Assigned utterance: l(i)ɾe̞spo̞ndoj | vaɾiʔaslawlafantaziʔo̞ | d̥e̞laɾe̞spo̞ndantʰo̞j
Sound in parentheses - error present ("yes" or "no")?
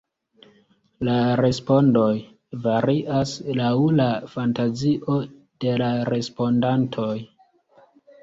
yes